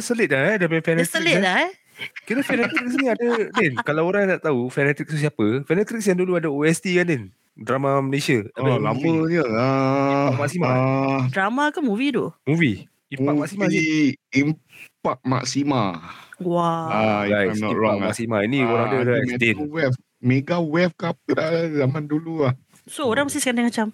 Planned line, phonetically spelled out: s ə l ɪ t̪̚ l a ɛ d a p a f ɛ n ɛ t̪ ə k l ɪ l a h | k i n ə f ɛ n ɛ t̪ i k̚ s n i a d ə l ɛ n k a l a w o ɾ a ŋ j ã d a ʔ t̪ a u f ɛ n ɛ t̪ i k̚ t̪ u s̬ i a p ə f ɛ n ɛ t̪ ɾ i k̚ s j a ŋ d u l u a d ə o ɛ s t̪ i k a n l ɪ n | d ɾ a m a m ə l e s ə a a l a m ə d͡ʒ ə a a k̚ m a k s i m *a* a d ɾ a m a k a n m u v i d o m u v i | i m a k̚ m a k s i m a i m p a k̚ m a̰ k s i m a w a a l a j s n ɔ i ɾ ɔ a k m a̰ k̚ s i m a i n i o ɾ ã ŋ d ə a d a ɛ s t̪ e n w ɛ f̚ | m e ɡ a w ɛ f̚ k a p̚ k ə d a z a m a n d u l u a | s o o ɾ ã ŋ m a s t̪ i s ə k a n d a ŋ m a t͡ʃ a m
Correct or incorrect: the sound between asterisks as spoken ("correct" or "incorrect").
correct